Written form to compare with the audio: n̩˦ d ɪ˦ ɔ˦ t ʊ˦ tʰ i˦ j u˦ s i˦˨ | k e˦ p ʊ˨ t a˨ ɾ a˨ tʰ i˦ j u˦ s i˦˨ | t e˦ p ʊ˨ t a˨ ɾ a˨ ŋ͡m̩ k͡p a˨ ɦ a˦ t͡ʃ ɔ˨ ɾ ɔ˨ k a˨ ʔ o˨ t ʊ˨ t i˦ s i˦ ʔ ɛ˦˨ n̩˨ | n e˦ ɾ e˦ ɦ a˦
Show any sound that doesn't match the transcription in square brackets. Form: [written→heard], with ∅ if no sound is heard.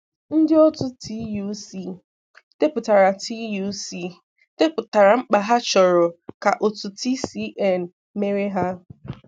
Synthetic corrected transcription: n̩˦ d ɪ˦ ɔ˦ t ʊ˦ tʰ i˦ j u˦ s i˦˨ | [k→t] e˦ p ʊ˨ t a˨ ɾ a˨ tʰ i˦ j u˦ s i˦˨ | t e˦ p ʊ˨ t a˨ ɾ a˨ ŋ͡m̩ k͡p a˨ ɦ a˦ t͡ʃ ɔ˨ ɾ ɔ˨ k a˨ ʔ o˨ t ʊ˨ t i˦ s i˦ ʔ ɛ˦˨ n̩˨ | [n→m] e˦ ɾ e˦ ɦ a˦

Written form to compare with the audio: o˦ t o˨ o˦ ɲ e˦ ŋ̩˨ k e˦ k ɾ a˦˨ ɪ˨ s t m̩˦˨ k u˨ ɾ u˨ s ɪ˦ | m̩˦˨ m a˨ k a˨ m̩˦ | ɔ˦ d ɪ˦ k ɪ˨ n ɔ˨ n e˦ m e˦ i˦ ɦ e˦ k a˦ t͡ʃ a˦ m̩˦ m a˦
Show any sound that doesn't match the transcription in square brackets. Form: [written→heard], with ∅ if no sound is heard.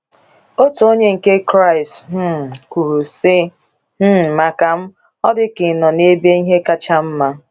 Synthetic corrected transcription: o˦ t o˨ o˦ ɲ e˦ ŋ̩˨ k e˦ k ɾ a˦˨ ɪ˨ s t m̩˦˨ k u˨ ɾ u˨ s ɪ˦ | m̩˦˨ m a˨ k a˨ m̩˦ | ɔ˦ d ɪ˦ k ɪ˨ n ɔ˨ n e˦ [m→b] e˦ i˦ ɦ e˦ k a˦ t͡ʃ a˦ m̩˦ m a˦

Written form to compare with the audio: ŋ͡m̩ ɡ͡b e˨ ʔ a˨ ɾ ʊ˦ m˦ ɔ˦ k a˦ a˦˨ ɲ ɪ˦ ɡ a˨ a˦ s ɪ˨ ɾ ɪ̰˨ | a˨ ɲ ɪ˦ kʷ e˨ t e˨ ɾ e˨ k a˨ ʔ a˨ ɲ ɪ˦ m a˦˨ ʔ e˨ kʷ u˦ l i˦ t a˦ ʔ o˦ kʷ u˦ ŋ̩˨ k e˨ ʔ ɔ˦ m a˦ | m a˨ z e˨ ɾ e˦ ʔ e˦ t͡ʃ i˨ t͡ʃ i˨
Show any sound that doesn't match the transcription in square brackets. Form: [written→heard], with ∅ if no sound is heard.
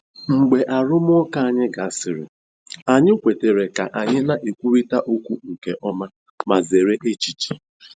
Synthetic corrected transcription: ŋ͡m̩ ɡ͡b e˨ ʔ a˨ ɾ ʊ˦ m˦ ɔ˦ k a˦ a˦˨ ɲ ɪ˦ ɡ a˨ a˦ s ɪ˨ ɾ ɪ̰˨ | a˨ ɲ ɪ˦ kʷ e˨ t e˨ ɾ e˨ k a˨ ʔ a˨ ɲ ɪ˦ [m→n] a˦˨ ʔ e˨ kʷ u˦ [l→ɾ] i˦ t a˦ ʔ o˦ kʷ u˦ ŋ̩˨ k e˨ ʔ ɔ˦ m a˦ | m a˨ z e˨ ɾ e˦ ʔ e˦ t͡ʃ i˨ t͡ʃ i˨

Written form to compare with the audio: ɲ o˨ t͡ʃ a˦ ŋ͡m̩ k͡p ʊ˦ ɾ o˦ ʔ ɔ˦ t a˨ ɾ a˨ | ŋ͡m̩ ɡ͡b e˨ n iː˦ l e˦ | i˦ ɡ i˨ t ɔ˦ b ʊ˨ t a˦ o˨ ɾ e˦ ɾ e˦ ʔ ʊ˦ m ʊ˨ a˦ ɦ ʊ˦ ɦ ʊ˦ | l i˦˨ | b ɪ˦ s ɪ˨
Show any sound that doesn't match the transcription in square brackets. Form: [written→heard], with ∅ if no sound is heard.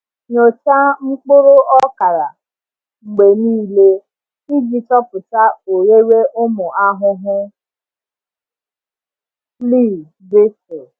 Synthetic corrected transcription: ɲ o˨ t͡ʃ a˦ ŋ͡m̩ k͡p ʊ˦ ɾ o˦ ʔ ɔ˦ [t→k] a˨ ɾ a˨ | ŋ͡m̩ ɡ͡b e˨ n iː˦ l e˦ | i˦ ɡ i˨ t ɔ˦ [b→p] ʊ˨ t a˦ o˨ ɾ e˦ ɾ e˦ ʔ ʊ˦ m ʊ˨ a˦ ɦ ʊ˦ ɦ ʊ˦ | l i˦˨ | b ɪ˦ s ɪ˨

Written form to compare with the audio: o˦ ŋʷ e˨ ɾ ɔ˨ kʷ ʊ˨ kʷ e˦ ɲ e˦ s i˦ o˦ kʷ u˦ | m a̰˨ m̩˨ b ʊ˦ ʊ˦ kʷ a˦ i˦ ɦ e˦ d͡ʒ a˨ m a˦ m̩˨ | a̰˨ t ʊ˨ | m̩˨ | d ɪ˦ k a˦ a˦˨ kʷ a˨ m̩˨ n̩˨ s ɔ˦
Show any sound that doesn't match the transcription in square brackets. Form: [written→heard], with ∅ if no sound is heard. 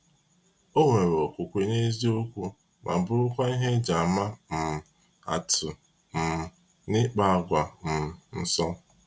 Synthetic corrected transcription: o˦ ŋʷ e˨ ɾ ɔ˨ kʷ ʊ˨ kʷ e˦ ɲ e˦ [s→z] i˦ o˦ kʷ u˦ | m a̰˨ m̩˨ b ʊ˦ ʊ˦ kʷ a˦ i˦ ɦ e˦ d͡ʒ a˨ m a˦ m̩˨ | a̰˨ t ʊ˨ | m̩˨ | [d→n] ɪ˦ [k→k͡p] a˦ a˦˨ [kʷ→ɡʷ] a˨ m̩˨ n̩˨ s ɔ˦

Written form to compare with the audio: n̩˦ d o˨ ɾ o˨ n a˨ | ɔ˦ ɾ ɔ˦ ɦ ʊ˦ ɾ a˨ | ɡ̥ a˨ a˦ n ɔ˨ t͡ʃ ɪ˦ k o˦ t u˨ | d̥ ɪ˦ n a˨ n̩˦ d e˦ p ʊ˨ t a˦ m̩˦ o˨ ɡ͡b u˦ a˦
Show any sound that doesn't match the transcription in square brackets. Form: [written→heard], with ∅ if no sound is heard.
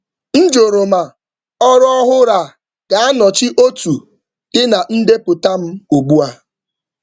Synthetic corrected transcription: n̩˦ [d→d͡ʒ] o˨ ɾ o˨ [n→m] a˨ | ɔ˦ ɾ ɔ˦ ɦ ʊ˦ ɾ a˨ | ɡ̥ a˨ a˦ n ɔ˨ t͡ʃ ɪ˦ [k→ʔ] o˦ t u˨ | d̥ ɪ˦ n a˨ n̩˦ d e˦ p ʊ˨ t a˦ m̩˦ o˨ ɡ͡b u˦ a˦

